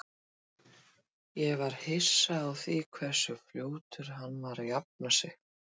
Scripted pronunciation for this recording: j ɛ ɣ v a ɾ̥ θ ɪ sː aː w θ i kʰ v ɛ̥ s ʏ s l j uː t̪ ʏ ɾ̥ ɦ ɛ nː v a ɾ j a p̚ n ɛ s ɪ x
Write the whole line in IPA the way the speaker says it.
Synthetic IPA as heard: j ɛ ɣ v a ɾ̥ h ɪ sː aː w θ i kʰ v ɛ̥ s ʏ f l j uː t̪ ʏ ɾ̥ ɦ a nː v a ɾ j a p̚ n a s ɪ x